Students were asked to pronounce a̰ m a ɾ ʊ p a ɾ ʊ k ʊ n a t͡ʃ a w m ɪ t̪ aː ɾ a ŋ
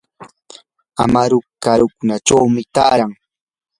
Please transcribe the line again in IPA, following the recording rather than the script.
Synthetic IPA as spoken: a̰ m a ɾ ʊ k a ɾ ʊ k ʊ n a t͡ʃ a w m ɪ t̪ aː ɾ a ŋ

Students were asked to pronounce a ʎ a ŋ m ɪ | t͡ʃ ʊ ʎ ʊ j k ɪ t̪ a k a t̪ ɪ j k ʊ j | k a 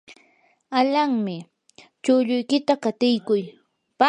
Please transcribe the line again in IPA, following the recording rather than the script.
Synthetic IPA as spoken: a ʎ a ŋ m ɪ | t͡ʃ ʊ ʎ ʊ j k ɪ t̪ a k a t̪ ɪ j k ʊ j | p a

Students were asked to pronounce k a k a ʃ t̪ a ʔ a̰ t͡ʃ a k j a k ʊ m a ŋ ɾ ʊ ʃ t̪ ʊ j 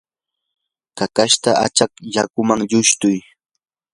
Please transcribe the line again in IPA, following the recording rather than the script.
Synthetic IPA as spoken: k a k a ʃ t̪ a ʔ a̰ t͡ʃ a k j a k ʊ m a ŋ ʎ ʊ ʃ t̪ ʊ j

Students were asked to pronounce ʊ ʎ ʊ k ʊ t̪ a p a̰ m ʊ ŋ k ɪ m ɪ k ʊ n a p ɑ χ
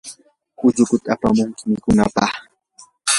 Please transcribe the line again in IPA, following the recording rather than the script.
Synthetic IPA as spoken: ʊ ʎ ʊ k ʊ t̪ a p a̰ m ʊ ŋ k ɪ m ɪ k ʊ n a p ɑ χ

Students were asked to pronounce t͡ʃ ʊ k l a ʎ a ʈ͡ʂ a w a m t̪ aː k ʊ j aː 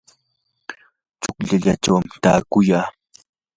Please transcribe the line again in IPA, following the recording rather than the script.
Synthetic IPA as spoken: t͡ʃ ʊ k ʎ a ʎ a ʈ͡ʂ a w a m t̪ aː k ʊ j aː

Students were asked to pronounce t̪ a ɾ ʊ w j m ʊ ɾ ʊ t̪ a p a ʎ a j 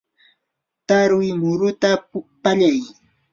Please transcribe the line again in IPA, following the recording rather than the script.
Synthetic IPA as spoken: t̪ a ɾ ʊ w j m ʊ ɾ ʊ t̪ a p a ʎ a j

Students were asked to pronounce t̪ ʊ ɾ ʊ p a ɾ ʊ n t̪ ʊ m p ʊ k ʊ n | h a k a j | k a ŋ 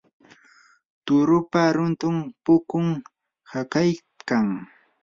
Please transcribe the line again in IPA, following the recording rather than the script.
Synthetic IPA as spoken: t̪ ʊ ɾ ʊ p a ɾ ʊ n t̪ ʊ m p ʊ k ʊ ŋ | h a k a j | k a ŋ

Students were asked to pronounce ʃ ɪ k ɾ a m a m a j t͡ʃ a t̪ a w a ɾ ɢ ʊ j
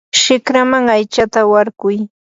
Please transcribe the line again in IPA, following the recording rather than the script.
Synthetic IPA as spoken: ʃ ɪ k ɾ a m a ŋ a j t͡ʃ a t̪ a w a ɾ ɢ ʊ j

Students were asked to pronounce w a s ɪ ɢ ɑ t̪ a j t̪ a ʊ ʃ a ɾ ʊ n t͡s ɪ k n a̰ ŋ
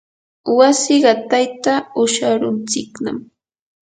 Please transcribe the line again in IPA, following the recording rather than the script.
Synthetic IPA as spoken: w a s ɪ ɢ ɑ t̪ a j t̪ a ʊ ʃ a ɾ ʊ n t͡s ɪ k n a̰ m

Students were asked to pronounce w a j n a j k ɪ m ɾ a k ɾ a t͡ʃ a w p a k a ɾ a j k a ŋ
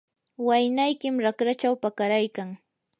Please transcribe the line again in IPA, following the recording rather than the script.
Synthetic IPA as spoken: w a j n a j k ɪ m ɾ a k ɾ a t͡ʃ a w p a k a ɾ a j k a ŋ

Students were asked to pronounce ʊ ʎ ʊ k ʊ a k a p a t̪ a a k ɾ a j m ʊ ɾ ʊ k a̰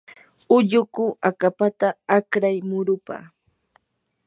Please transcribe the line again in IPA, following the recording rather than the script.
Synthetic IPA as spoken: ʊ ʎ ʊ k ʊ a k a p a t̪ a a k ɾ a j m ʊ ɾ ʊ p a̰

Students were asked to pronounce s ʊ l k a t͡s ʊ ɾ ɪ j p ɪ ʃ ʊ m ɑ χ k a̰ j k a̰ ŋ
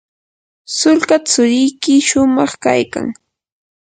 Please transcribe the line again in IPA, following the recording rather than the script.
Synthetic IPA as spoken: s ʊ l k a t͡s ʊ ɾ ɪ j k ɪ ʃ ʊ m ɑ χ k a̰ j k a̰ ŋ

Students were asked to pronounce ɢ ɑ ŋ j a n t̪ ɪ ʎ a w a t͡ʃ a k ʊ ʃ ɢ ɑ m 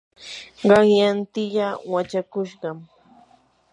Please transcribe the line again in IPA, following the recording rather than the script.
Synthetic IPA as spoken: ɢ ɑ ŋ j a n t̪ ɪ ʎ a w a t͡ʃ a k ʊ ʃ ɢ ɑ m

